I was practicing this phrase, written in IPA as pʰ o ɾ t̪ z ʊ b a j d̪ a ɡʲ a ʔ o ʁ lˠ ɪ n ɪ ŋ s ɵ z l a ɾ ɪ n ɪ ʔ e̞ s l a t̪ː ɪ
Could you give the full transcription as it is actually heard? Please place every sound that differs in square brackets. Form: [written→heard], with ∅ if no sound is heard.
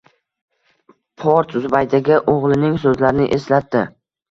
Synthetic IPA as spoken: pʰ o ɾ t̪ z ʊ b a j d̪ a ɡʲ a ʔ o ʁ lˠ ɪ n ɪ ŋ s ɵ z l a ɾ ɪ n ɪ ʔ e̞ s l a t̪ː ɪ